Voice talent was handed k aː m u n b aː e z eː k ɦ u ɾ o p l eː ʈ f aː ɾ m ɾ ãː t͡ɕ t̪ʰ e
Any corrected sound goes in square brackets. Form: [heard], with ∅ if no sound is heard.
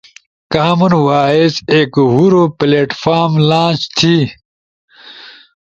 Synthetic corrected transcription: k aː m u n [w] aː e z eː k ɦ u ɾ o p l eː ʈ f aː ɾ m [l] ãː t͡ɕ t̪ʰ [i]